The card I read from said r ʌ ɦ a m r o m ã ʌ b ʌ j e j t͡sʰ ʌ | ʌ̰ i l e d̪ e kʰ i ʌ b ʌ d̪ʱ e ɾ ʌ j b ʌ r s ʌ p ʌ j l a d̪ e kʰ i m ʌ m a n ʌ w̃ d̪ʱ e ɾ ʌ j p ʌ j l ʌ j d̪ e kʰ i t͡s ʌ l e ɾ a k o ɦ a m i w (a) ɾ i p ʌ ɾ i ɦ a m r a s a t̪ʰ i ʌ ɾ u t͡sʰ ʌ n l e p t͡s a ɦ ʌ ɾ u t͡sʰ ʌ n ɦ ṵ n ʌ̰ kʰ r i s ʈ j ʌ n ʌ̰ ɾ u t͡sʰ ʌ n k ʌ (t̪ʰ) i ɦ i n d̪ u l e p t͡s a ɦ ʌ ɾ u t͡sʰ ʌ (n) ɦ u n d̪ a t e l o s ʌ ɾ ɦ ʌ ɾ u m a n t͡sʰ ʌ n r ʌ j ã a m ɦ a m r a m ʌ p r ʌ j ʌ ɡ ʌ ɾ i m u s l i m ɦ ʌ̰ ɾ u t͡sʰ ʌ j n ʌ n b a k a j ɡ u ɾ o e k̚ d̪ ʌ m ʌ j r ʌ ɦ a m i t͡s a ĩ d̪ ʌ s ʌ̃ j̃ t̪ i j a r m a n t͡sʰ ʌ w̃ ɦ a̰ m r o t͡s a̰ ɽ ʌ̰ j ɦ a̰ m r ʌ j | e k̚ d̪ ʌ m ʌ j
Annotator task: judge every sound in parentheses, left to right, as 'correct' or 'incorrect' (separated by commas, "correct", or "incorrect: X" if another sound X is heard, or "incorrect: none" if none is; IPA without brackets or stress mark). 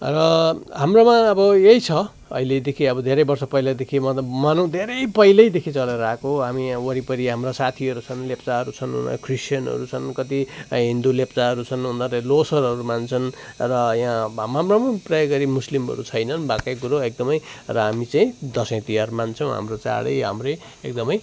incorrect: ʌ, incorrect: t̪, correct